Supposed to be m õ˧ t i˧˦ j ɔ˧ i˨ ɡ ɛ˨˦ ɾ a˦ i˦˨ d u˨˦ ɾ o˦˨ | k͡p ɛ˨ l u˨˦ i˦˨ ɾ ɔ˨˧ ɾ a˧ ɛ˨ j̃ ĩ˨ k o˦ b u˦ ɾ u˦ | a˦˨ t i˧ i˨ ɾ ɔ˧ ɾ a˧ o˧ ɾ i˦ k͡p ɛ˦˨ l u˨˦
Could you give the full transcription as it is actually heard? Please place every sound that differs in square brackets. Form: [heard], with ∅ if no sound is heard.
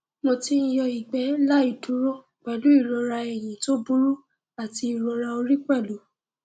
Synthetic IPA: m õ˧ t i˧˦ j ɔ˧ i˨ [ɡ͡b] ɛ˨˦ [l] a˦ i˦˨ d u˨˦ ɾ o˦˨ | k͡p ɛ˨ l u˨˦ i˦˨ ɾ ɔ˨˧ ɾ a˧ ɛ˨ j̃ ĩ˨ [t] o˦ b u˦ ɾ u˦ | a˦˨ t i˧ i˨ ɾ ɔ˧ ɾ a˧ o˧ ɾ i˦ k͡p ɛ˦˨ l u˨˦